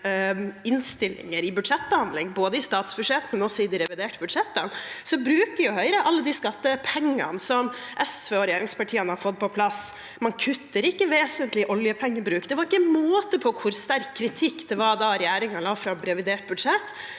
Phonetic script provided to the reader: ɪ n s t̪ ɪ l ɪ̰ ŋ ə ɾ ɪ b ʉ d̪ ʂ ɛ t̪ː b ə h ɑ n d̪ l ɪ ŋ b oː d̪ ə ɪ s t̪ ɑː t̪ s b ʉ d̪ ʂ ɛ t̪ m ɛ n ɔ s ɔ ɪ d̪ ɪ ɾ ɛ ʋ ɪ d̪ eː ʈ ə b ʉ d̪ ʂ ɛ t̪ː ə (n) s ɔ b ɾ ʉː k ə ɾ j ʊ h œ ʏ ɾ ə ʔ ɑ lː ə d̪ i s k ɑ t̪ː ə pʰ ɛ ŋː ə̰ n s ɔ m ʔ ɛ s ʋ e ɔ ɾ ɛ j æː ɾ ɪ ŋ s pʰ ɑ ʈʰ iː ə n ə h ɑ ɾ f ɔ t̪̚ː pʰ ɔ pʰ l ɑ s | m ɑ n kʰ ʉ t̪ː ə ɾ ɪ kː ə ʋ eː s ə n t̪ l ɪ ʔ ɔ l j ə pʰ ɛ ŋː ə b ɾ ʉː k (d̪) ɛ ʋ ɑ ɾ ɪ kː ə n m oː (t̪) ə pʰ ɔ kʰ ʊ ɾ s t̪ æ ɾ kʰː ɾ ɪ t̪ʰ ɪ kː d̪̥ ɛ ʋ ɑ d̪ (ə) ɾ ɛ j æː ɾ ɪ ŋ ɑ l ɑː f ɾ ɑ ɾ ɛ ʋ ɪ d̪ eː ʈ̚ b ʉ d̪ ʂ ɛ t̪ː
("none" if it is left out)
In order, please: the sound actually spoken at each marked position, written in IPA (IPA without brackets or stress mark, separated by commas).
n, d̪, t̪, ɑ